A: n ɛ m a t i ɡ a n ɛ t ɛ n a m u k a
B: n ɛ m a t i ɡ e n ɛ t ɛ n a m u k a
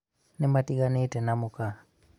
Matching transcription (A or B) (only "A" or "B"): A